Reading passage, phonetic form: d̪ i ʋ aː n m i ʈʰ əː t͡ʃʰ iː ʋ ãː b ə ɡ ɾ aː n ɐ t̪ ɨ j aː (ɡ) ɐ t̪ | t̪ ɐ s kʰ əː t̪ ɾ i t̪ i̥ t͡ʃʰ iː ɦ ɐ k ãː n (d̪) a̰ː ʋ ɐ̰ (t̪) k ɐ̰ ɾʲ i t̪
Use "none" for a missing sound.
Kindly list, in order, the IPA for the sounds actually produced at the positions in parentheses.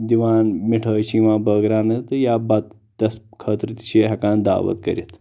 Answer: b, d̪, t̪

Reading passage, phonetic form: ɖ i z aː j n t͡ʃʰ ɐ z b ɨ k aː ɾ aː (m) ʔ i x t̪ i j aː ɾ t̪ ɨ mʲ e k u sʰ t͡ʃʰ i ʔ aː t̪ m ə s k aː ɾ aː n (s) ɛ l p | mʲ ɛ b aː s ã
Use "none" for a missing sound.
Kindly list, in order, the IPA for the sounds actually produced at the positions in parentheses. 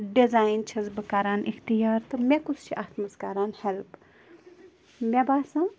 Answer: n, h

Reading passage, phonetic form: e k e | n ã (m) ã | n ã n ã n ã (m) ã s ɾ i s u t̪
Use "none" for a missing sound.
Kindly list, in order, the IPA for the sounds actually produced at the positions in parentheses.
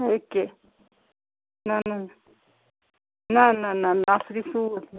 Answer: n, n

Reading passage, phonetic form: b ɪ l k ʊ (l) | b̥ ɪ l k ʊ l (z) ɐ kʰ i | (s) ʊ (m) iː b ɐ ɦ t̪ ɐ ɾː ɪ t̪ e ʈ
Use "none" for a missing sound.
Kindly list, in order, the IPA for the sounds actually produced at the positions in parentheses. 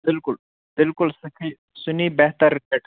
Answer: l, s, s, n

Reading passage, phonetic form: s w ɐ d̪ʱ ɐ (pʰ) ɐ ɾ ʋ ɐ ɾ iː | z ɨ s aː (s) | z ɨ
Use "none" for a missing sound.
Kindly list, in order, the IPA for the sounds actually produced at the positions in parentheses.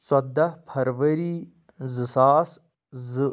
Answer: pʰ, s

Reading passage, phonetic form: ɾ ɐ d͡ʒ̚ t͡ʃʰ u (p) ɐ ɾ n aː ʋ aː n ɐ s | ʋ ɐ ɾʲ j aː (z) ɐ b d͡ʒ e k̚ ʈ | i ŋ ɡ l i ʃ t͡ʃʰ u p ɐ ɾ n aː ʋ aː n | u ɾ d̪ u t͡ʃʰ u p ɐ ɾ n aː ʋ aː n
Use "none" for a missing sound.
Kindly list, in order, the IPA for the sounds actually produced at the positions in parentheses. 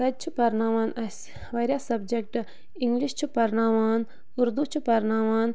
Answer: p, s

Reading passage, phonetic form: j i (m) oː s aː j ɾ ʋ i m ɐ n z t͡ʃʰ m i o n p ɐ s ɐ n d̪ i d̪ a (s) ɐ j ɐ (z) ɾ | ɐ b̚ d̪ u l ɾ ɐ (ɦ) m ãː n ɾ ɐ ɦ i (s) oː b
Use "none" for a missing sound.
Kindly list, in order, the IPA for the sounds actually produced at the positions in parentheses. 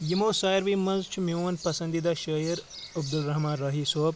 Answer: m, ʃ, none, ɦ, s

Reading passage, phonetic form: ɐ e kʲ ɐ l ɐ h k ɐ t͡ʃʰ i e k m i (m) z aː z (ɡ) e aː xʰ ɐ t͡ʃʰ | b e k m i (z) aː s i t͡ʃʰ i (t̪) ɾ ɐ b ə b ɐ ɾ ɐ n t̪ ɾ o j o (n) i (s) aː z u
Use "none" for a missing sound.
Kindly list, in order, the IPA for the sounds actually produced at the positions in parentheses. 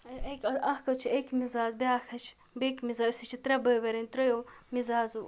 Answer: none, b, z, t̪, m, z

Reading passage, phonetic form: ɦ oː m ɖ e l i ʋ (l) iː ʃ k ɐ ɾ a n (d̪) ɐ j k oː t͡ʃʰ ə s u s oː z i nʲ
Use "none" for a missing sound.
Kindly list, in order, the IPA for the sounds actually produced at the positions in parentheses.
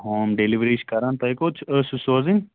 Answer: ɾ, t̪

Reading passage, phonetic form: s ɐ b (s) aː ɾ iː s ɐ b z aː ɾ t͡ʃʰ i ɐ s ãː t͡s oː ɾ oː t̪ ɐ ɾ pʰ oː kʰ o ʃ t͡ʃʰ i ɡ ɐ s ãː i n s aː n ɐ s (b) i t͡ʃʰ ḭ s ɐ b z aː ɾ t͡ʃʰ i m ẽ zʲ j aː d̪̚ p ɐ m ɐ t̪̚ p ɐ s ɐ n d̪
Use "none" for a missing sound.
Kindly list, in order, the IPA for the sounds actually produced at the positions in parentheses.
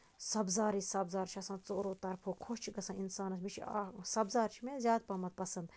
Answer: z, m

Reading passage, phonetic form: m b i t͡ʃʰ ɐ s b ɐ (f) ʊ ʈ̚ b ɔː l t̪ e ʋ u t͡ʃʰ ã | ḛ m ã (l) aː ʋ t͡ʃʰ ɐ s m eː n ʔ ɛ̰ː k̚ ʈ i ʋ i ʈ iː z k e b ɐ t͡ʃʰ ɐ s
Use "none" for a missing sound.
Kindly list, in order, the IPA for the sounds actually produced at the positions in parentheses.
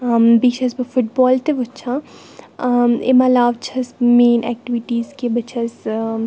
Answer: f, l

